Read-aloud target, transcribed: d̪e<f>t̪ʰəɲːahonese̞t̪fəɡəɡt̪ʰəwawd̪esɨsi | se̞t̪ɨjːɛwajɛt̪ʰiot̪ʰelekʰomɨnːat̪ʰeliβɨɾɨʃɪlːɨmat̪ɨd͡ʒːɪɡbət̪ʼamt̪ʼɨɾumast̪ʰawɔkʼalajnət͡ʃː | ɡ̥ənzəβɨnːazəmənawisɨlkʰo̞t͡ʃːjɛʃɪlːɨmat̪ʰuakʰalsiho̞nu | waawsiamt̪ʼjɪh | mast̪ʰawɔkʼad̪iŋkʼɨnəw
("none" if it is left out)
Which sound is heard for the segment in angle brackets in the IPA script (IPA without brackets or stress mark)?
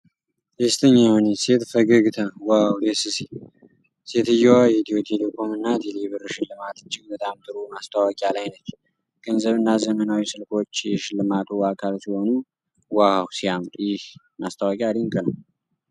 s